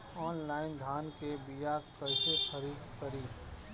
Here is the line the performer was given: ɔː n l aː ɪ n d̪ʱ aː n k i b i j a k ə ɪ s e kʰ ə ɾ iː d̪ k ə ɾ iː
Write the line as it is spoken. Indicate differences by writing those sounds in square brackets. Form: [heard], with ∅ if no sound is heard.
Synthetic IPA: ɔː n l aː ɪ n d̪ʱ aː n k [e] b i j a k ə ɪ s e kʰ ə ɾ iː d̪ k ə ɾ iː